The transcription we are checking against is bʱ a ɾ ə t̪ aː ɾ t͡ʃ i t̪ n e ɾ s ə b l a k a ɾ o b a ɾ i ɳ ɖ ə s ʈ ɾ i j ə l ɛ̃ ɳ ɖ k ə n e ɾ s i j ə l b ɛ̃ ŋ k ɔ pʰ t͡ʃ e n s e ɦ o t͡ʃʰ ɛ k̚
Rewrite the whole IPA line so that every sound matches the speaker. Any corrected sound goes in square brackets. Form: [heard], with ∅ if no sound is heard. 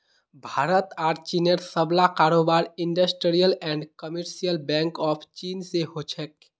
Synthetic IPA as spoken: bʱ a ɾ ə t̪ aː ɾ t͡ʃ i [∅] n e ɾ s ə b l a k a ɾ o b a ɾ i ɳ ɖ ə s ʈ ɾ i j ə l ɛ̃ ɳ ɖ k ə [m] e ɾ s i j ə l b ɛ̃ ŋ k ɔ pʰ t͡ʃ [i] n s e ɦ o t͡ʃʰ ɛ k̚